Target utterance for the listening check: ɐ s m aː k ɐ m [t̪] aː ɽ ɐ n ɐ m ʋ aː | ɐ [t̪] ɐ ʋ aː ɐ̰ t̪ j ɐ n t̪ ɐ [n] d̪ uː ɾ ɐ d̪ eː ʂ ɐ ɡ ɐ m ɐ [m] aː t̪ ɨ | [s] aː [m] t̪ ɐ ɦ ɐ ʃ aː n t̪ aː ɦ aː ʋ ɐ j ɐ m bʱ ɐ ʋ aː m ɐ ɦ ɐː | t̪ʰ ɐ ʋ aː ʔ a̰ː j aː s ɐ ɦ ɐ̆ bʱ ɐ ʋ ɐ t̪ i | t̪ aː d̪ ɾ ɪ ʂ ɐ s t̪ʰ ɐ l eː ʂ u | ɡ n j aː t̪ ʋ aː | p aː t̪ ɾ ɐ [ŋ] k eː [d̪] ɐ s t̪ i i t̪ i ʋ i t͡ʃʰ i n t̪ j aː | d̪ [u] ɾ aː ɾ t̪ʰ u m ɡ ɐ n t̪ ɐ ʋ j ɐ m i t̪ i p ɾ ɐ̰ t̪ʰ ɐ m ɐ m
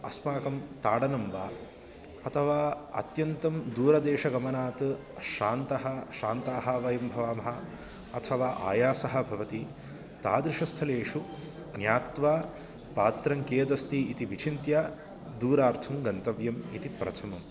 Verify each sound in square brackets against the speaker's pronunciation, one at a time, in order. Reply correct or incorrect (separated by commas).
correct, incorrect, incorrect, incorrect, incorrect, incorrect, correct, correct, incorrect